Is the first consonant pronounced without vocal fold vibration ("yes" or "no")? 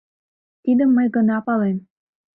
yes